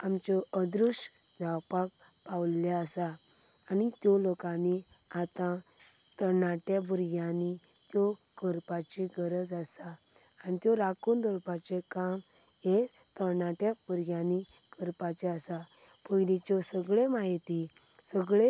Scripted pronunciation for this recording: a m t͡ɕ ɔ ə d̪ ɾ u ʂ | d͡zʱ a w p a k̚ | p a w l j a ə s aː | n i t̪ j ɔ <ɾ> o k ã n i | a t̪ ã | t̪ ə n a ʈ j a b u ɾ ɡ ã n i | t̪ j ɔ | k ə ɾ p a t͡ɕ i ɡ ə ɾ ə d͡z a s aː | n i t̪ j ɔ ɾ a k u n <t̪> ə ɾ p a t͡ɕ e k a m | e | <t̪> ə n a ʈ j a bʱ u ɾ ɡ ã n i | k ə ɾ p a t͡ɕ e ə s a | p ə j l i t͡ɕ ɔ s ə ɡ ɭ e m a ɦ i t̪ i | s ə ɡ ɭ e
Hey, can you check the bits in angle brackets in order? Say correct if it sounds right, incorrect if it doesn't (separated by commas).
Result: incorrect, incorrect, correct